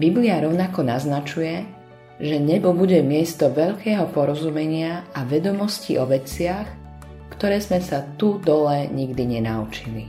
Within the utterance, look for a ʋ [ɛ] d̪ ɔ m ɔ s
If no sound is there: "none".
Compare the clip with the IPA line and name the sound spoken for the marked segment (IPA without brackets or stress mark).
ɛ